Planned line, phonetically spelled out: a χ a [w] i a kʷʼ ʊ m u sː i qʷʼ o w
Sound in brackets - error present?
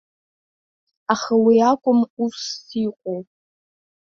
no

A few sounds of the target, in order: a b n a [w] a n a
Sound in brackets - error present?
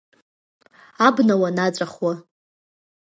no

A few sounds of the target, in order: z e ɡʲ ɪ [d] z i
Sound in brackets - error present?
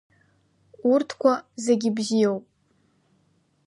yes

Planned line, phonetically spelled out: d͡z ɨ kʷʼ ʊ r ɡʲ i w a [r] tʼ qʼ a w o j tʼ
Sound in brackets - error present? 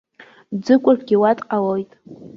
yes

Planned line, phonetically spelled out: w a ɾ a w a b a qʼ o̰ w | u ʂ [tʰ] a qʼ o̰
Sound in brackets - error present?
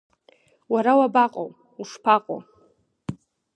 yes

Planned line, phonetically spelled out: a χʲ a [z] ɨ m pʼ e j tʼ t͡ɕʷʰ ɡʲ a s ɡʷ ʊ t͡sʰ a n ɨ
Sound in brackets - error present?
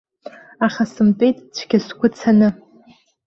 yes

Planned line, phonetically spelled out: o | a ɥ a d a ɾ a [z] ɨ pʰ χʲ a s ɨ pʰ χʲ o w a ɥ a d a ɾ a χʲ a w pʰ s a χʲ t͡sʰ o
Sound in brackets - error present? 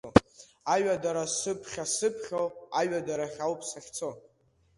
yes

